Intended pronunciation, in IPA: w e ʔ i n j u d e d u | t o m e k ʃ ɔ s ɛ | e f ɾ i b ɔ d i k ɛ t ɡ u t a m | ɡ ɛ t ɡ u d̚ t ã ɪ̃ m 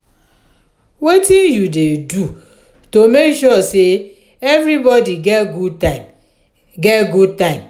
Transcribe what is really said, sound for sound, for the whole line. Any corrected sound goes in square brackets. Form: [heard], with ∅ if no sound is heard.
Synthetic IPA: w e [t] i n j u d e d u | t o m e k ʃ ɔ s [e] | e [v] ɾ i b ɔ d i [ɡ] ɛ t ɡ u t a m | ɡ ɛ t ɡ u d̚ t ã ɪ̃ m